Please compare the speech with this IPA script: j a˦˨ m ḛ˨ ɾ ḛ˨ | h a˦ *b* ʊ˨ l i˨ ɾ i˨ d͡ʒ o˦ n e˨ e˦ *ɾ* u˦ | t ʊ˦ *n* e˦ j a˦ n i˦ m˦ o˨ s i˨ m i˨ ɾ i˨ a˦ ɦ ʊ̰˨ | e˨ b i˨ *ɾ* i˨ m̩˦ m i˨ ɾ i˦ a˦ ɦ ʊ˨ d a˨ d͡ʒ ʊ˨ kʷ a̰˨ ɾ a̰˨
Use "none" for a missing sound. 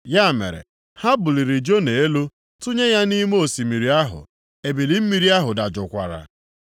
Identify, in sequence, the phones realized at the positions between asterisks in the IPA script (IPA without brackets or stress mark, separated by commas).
b, l, ɲ, l